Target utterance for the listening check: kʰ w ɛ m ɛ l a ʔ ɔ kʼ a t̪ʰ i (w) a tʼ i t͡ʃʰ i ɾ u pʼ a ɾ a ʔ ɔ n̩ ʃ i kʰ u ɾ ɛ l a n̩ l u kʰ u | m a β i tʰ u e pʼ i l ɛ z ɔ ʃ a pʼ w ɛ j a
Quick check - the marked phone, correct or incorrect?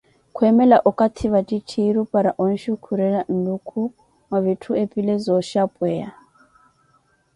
incorrect: β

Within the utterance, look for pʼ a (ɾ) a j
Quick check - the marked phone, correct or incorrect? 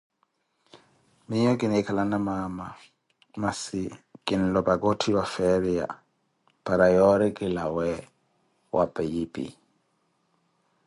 correct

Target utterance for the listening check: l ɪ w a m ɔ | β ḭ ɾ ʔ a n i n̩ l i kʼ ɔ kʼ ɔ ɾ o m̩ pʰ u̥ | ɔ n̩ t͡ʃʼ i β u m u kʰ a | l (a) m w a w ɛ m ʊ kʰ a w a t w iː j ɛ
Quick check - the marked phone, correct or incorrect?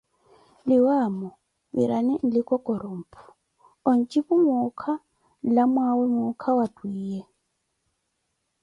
correct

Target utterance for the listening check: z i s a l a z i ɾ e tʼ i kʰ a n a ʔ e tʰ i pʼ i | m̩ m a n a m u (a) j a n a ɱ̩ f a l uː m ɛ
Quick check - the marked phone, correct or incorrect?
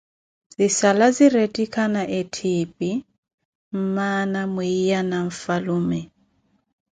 incorrect: i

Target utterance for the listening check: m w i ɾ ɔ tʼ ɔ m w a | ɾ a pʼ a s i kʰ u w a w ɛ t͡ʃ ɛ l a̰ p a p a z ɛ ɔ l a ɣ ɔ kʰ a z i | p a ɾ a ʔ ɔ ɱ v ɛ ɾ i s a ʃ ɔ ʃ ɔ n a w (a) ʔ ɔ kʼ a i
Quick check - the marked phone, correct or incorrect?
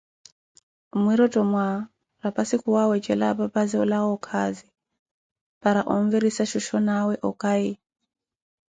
incorrect: ɛ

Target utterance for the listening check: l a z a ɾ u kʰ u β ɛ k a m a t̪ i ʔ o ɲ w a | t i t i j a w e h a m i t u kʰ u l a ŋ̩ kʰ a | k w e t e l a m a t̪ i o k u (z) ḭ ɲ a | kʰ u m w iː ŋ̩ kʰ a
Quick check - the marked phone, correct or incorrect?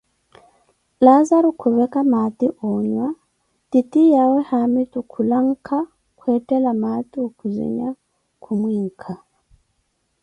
correct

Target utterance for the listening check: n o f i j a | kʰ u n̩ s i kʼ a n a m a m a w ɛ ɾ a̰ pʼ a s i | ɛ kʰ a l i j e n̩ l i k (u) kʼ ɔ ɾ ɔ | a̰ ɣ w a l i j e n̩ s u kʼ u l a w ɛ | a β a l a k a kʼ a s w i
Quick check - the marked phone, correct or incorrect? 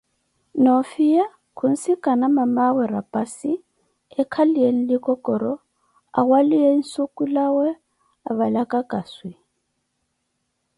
incorrect: ɔ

